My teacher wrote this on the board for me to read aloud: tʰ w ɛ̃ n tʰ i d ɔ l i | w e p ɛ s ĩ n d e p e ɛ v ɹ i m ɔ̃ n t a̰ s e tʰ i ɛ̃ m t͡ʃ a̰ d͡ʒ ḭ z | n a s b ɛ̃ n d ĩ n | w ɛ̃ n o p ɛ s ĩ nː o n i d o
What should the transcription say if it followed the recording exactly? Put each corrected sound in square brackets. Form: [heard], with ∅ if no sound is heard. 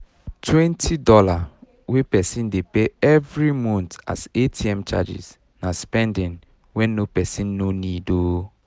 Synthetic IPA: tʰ w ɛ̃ n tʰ i d ɔ l [a] | w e p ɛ s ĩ n d e p e ɛ v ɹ i m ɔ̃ n t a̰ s e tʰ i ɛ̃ m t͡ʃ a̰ d͡ʒ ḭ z | n a s [p] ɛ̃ n d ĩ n | w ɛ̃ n o p ɛ s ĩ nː o n i d o